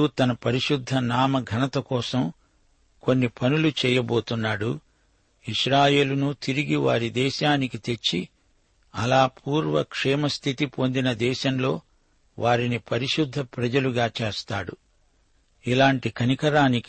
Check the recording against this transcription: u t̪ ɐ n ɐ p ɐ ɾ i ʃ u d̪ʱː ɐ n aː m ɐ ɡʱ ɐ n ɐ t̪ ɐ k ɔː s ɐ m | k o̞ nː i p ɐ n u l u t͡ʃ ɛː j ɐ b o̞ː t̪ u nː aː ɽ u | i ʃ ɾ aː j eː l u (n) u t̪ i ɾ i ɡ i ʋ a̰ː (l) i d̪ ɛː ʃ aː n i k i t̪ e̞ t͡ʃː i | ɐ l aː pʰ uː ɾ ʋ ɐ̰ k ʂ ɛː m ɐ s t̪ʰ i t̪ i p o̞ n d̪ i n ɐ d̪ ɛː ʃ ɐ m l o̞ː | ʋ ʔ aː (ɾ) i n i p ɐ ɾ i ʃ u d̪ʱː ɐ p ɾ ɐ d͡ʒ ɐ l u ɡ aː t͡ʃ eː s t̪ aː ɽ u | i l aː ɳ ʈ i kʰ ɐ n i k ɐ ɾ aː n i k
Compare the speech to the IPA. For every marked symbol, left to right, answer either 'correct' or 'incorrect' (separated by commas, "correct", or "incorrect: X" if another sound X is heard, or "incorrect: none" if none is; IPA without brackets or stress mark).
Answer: correct, incorrect: ɾ, correct